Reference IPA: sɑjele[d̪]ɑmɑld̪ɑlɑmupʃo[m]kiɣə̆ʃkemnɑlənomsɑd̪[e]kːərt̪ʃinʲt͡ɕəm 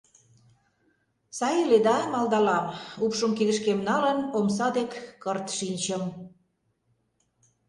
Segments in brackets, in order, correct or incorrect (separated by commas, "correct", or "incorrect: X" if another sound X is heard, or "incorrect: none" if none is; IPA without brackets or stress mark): correct, correct, correct